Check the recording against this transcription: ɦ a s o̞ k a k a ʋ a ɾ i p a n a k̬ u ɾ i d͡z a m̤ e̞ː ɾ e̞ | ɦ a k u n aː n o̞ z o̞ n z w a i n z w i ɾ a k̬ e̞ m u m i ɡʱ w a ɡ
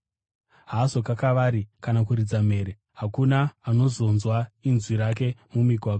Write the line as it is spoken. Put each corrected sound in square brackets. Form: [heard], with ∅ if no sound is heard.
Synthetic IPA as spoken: ɦ a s o̞ k a k a ʋ a ɾ i [k] a n a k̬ u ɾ i d͡z a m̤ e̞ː ɾ e̞ | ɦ a k u n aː n o̞ z o̞ n z w a i n z w i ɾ a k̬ e̞ m u m i ɡʱ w a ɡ